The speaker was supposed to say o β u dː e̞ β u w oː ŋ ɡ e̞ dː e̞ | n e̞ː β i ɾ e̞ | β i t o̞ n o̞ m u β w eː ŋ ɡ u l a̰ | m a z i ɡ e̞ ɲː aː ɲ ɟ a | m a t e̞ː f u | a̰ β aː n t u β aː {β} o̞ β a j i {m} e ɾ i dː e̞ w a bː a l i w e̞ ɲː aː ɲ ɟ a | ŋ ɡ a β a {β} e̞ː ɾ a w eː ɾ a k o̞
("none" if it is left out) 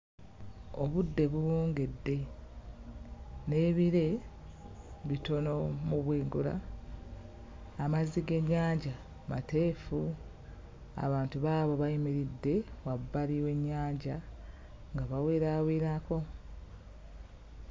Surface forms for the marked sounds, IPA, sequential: β, m, w

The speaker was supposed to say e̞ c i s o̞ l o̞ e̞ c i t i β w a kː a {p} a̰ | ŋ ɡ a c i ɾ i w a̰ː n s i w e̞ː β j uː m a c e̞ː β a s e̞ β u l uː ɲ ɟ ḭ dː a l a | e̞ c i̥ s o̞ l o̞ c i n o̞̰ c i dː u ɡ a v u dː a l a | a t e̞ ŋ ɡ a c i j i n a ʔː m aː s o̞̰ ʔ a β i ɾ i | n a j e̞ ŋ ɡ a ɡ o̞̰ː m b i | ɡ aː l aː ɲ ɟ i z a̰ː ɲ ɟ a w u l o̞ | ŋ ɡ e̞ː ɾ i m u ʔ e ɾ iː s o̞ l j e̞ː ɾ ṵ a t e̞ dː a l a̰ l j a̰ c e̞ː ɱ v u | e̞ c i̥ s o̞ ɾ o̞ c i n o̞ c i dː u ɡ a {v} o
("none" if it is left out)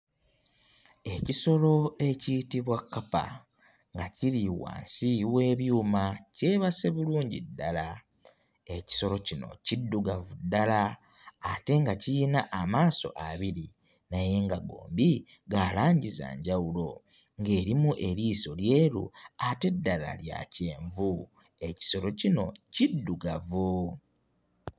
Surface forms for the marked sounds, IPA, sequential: p, v

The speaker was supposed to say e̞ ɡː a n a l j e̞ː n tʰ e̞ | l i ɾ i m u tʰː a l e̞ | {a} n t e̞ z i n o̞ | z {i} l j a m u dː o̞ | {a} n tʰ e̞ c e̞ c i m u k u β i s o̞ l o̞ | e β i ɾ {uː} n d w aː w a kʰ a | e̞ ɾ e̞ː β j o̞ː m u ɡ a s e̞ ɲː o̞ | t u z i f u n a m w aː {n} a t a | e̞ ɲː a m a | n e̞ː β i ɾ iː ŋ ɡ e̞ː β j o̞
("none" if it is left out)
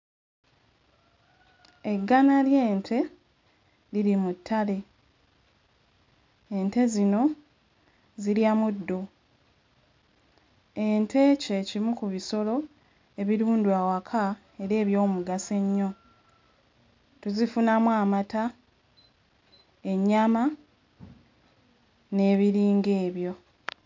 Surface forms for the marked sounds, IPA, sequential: e, i, e, uː, m

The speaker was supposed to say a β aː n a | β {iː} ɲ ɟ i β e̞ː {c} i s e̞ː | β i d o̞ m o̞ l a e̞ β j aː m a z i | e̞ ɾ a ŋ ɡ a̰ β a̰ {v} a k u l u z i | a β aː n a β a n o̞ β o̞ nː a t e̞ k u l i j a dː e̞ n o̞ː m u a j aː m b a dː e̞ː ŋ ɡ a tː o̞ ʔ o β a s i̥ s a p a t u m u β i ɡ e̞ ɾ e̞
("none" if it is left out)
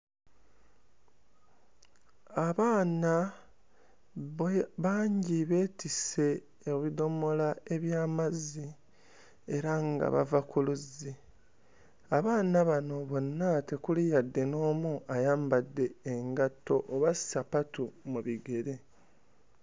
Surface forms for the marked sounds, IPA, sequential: aː, t, v

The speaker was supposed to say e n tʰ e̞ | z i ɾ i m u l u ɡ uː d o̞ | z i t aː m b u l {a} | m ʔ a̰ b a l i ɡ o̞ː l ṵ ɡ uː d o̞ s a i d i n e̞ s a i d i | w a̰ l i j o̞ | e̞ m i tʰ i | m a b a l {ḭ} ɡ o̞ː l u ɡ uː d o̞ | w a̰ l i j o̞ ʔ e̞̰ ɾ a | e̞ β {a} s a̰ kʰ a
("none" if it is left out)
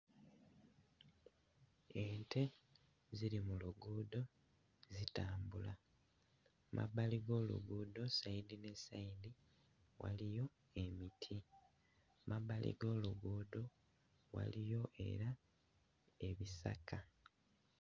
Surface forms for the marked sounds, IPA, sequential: a, ḭ, i

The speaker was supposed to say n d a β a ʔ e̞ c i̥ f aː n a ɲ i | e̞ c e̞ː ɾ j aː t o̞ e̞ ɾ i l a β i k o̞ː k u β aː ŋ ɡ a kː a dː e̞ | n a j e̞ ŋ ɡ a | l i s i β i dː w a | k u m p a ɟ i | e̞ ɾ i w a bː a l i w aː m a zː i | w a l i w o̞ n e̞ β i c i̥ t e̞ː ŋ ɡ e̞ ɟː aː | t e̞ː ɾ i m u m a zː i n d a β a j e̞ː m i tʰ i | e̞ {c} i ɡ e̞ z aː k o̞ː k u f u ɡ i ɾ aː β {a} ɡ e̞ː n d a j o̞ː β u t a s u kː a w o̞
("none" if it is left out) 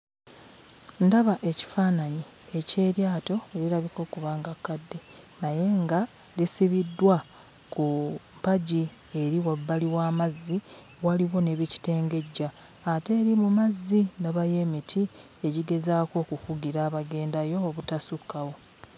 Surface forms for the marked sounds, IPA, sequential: ɟ, a

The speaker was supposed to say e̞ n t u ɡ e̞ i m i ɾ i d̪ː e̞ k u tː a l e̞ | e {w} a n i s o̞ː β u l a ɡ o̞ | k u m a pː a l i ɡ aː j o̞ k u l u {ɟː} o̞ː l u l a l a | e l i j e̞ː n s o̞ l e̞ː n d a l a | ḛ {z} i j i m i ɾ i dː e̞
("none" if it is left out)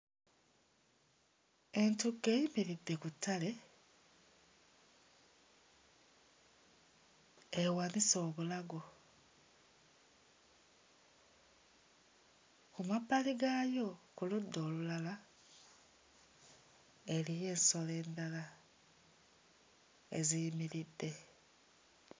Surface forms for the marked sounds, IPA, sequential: w, dː, z

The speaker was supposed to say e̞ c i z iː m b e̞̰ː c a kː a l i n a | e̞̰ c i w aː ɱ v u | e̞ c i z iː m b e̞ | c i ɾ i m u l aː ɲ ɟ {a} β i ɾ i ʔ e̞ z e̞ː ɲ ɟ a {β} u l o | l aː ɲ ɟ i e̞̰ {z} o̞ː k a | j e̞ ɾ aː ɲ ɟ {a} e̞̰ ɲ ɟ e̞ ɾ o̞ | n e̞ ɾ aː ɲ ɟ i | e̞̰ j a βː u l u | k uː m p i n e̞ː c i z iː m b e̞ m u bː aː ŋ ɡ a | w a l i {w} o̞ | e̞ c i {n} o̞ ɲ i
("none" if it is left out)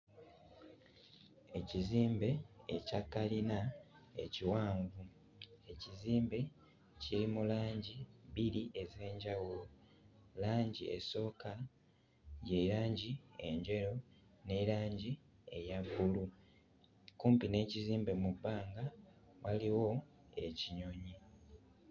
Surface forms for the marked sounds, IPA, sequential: i, w, s, i, w, ɲ

